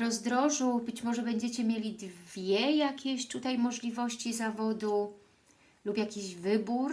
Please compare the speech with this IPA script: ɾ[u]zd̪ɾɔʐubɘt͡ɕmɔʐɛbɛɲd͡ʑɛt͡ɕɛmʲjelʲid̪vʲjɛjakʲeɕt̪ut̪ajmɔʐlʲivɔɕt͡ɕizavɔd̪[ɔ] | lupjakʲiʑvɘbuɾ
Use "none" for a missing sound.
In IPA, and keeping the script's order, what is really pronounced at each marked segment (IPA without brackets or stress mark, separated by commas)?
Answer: ɔ, u